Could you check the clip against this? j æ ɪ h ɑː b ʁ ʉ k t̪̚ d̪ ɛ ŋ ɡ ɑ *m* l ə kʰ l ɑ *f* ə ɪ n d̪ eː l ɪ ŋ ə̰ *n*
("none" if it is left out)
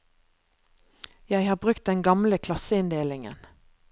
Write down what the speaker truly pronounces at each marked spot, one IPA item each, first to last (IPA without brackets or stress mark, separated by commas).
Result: m, s, n